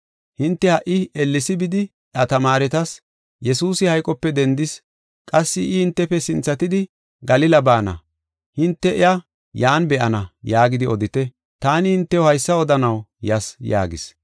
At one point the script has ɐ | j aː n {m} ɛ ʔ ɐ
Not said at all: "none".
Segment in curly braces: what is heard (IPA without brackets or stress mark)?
b